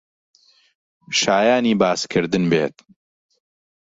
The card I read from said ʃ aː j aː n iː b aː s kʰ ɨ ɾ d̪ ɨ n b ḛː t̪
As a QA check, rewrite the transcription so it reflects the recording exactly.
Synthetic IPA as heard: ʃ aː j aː n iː b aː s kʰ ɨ ɾ d̪ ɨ n b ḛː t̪

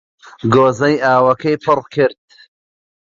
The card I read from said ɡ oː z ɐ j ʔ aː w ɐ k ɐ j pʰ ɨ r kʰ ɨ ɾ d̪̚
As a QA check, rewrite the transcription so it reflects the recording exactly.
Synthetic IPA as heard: ɡ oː z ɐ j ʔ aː w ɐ k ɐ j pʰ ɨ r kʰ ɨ ɾ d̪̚

